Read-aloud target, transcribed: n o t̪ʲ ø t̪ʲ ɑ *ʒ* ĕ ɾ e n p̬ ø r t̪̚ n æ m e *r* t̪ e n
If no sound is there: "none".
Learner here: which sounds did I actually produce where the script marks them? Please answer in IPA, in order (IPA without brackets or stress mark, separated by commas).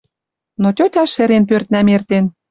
ʃ, r